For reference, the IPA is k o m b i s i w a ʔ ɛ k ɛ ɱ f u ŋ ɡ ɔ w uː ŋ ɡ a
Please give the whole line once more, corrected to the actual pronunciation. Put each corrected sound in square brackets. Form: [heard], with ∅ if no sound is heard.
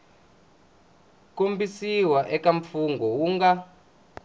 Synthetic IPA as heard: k o m b i s i w a ʔ ɛ k [a] ɱ f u ŋ ɡ ɔ w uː ŋ ɡ a